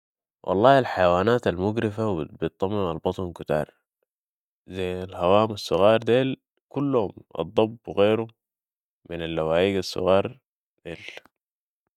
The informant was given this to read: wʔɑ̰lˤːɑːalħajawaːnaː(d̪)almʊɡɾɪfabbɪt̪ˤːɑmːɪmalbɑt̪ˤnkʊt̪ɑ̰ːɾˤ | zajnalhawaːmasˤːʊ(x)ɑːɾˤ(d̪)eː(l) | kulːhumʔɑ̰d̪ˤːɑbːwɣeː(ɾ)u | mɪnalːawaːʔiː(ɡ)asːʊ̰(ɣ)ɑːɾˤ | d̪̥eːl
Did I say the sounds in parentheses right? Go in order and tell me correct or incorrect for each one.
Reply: incorrect, incorrect, correct, correct, correct, correct, correct

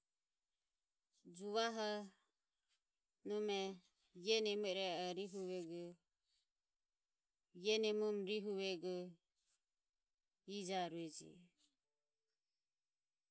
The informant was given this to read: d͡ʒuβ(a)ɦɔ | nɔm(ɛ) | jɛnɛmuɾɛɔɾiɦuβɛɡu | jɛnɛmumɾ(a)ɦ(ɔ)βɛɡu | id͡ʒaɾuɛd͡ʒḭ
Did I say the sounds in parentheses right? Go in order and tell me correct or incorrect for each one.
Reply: correct, correct, incorrect, incorrect

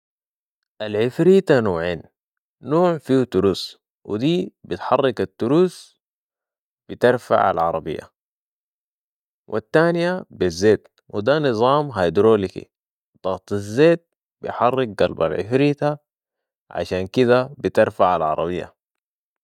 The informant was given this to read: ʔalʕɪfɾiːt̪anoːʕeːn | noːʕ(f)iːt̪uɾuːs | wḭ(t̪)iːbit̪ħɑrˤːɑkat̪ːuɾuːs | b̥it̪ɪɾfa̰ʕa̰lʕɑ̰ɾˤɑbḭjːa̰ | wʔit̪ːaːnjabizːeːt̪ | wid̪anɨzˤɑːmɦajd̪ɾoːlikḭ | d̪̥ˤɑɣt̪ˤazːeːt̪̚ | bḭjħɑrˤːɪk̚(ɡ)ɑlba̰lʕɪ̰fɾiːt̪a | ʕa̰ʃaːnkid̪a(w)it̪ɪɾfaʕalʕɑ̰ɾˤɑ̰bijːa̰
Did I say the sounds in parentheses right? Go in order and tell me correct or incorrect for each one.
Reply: correct, incorrect, correct, incorrect

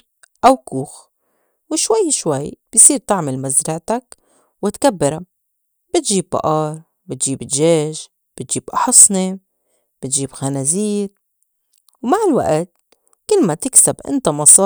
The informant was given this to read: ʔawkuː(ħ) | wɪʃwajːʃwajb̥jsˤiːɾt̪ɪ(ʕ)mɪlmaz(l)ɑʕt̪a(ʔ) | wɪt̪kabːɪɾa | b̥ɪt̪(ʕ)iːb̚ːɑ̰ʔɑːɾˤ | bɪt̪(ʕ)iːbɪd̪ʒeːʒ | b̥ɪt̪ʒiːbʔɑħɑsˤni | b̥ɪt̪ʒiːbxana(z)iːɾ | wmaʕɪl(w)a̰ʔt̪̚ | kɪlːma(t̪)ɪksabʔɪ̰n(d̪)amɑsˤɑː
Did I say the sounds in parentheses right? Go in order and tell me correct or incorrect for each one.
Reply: incorrect, correct, incorrect, incorrect, incorrect, incorrect, correct, correct, correct, incorrect

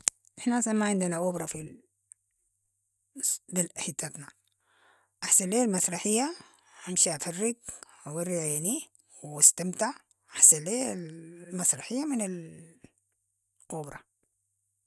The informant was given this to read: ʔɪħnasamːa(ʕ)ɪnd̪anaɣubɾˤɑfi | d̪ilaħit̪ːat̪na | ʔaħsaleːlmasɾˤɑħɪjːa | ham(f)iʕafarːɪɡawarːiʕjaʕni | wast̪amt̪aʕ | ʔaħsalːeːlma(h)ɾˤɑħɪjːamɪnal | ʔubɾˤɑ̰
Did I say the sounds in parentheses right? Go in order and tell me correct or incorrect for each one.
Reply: correct, incorrect, incorrect

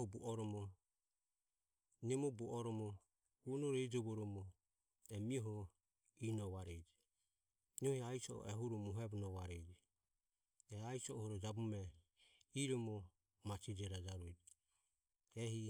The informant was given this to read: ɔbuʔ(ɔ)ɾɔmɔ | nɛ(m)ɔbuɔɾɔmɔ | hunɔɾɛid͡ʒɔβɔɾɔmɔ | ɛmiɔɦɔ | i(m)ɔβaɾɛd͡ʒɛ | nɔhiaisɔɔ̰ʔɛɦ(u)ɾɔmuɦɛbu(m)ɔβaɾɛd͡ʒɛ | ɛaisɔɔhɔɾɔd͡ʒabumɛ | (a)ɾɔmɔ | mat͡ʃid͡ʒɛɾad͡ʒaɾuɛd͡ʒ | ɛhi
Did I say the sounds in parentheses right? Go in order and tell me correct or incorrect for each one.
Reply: correct, correct, incorrect, correct, incorrect, incorrect

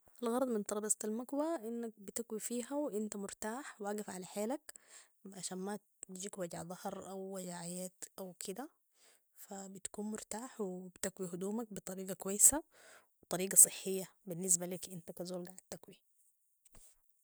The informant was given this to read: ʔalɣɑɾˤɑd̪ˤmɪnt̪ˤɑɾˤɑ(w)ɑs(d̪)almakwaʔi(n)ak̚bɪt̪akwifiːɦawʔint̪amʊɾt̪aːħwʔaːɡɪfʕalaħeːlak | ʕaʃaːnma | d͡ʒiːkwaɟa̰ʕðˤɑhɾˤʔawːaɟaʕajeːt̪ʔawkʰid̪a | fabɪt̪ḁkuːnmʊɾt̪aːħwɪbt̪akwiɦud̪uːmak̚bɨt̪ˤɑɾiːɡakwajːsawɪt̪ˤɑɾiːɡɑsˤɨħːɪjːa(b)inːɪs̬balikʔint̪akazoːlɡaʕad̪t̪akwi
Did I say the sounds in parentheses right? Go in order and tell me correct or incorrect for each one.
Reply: incorrect, incorrect, incorrect, correct

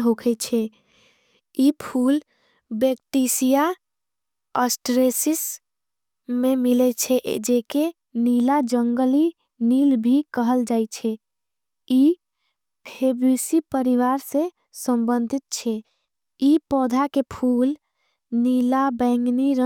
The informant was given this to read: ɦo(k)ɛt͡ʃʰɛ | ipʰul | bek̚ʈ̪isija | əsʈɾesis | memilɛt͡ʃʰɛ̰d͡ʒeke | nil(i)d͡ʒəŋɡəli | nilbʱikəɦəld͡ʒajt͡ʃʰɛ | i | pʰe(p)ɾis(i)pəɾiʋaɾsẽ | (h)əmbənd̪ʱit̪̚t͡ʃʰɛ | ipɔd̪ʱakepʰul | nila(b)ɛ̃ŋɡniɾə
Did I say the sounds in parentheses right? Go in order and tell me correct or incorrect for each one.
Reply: incorrect, incorrect, incorrect, correct, incorrect, correct

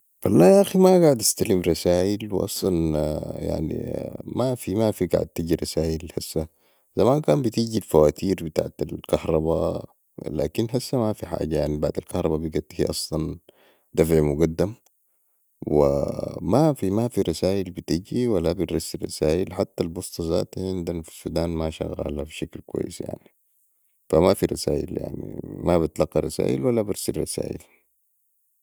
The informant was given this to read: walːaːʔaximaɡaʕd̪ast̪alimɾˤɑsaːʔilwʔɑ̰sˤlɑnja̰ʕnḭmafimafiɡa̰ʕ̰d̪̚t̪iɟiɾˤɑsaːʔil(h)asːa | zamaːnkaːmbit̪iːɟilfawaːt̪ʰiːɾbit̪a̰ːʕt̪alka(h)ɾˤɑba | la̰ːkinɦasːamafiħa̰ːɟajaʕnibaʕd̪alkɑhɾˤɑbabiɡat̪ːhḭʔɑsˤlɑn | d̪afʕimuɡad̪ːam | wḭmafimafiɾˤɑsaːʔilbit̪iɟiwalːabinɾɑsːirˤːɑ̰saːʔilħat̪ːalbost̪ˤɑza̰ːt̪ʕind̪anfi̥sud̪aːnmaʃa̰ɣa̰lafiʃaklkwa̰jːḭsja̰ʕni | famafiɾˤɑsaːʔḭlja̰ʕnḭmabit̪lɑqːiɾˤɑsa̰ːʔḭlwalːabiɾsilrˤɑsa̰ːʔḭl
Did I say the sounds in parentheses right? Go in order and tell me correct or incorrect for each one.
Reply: correct, correct

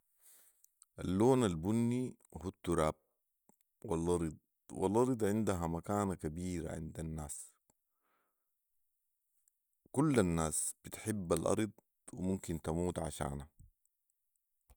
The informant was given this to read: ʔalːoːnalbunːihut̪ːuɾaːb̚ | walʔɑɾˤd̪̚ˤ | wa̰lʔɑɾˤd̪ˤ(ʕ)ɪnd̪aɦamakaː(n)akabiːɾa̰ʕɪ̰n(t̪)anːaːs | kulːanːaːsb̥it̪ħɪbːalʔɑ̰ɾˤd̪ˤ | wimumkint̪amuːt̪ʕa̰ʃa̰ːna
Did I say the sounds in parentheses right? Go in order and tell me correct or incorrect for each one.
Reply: correct, correct, incorrect

